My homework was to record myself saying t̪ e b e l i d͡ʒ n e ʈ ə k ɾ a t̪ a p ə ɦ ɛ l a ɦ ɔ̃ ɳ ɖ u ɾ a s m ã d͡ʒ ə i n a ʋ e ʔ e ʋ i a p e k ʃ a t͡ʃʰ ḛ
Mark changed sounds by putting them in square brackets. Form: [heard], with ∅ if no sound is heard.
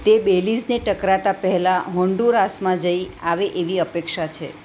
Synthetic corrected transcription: t̪ e b e l i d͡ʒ n e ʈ ə k ɾ a t̪ a p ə ɦ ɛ l a ɦ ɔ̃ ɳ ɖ u ɾ a s m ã d͡ʒ ə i [∅] a ʋ e ʔ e ʋ i [ə] p e k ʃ a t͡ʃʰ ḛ